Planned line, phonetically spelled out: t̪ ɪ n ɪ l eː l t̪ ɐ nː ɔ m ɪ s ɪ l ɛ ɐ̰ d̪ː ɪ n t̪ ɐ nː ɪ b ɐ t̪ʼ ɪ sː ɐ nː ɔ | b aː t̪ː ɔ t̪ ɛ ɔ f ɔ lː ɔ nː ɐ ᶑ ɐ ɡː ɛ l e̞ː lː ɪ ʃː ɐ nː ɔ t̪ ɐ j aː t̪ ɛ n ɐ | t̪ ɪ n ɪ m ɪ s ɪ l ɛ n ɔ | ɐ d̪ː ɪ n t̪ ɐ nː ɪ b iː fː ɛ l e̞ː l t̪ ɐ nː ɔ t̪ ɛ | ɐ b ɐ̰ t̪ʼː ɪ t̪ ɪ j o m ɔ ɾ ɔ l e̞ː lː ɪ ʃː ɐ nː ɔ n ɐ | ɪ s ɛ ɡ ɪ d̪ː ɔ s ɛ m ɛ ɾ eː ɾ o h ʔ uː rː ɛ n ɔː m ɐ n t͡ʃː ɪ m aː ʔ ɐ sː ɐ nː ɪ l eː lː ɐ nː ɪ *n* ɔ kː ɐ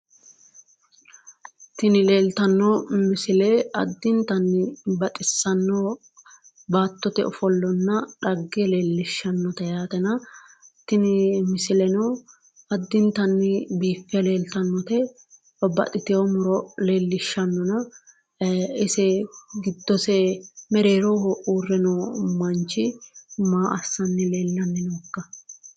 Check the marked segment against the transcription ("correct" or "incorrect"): correct